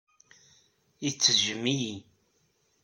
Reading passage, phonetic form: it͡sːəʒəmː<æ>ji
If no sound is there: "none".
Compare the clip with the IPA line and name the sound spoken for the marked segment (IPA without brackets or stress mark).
i